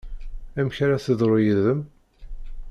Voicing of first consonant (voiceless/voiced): voiced